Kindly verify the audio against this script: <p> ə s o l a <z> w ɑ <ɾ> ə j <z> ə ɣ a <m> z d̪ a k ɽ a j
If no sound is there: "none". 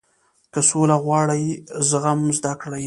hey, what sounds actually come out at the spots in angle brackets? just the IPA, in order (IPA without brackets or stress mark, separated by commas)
k, ɣ, ɽ, z, m